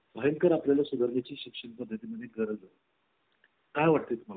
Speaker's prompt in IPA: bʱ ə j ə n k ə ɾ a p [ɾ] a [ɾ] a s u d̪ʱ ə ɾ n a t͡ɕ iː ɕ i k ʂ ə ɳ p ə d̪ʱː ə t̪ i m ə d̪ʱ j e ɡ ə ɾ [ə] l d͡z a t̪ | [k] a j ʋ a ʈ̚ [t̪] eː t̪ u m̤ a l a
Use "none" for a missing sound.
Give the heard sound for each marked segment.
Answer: l, l, ə, k, t̪

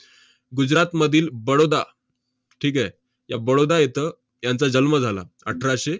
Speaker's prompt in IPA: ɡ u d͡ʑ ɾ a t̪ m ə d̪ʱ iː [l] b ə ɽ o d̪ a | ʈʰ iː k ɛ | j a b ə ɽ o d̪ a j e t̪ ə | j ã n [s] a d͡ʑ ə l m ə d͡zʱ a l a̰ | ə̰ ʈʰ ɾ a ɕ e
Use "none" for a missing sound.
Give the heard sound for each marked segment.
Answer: l, t͡s

